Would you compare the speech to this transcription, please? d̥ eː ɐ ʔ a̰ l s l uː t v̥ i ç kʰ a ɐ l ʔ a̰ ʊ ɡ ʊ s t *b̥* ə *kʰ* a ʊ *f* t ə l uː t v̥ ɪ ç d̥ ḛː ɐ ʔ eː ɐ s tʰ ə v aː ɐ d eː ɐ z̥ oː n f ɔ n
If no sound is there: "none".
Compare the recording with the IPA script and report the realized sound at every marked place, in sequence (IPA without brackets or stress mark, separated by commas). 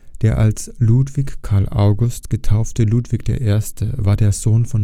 ɡ̥, tʰ, f